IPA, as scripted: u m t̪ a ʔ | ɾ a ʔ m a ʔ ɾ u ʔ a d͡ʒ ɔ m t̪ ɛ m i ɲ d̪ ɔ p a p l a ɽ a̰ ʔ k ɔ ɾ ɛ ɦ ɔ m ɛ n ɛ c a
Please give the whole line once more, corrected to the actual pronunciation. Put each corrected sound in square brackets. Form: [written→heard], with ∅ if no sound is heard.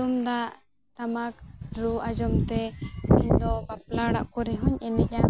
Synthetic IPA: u m [t̪→d̪] a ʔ | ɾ a [ʔ→∅] m a [ʔ→k] ɾ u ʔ a d͡ʒ ɔ m t̪ ɛ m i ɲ d̪ ɔ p a p l a ɽ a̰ ʔ k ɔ ɾ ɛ ɦ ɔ [m→ɲ] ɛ n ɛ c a